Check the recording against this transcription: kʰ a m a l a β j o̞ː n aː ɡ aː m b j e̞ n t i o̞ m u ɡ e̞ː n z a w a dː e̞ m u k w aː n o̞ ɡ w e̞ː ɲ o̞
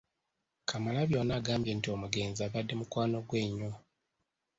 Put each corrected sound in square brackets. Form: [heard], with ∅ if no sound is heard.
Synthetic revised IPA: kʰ a m a l a β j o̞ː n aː ɡ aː m b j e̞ n t i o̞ m u ɡ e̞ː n z a [β] a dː e̞ m u k w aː n o̞ ɡ w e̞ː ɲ o̞